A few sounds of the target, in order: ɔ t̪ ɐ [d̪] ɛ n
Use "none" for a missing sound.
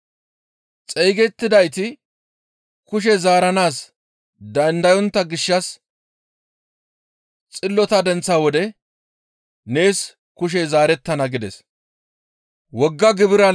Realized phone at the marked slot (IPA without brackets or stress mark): d̪